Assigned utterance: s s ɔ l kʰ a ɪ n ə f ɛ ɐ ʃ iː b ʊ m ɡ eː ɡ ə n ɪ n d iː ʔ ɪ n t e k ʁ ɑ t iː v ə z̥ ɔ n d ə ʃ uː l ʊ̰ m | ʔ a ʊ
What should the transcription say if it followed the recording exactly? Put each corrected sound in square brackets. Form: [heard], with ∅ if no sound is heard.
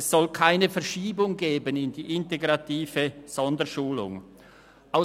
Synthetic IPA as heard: s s ɔ l kʰ a ɪ n ə f ɛ ɐ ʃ iː b ʊ [ŋ] ɡ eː [b] ə n ɪ n d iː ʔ ɪ n t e [ɡ] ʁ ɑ t iː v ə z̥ ɔ n d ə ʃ uː l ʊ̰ [ŋ] | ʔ a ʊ